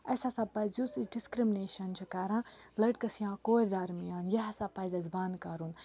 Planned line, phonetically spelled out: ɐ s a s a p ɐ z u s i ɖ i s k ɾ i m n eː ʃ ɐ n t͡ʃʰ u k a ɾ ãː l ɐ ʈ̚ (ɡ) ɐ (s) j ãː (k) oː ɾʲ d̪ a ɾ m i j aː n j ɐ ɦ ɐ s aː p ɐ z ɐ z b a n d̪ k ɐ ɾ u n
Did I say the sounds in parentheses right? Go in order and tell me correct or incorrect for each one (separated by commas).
incorrect, correct, correct